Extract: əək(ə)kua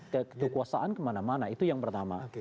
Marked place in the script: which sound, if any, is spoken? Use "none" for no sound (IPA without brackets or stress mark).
ə